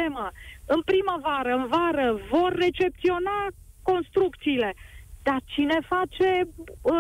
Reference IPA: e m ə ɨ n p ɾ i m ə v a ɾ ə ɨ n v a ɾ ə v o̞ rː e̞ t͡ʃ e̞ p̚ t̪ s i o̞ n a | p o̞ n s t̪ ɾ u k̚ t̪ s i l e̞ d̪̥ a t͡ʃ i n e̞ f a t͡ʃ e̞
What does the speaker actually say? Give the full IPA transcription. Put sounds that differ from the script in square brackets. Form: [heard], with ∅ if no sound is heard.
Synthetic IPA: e m ə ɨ n p ɾ i m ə v a ɾ ə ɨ n v a ɾ ə v o̞ rː e̞ t͡ʃ e̞ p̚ t̪ s i o̞ n a | [k] o̞ n s t̪ ɾ u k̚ t̪ s [iː] l e̞ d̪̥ a t͡ʃ i n e̞ f a t͡ʃ e̞